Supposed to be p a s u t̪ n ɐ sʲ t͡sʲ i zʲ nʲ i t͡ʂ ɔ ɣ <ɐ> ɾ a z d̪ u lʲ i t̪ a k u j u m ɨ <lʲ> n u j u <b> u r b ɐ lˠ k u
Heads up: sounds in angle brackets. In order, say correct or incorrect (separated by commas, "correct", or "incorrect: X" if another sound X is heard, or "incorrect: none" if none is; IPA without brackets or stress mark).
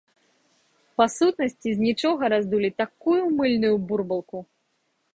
correct, correct, correct